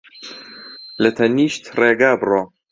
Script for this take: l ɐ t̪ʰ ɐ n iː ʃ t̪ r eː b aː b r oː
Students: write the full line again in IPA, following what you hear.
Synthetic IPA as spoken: l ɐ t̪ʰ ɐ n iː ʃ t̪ r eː ɡ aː b r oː